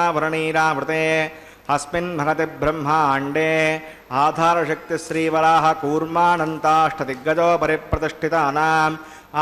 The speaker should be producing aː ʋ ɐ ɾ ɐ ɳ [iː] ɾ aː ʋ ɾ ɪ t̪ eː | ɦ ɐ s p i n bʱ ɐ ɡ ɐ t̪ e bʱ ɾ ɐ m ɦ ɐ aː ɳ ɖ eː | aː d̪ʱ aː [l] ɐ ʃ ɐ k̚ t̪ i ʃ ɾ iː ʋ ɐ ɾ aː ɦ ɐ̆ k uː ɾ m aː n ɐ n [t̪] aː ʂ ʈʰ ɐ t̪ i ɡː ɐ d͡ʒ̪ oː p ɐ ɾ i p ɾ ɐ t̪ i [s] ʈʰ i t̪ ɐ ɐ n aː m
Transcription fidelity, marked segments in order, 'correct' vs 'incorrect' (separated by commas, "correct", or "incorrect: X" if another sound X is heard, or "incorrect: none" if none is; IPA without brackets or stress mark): correct, incorrect: ɾ, correct, incorrect: ʂ